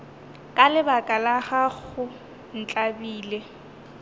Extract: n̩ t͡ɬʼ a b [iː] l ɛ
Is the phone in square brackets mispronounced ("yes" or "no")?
no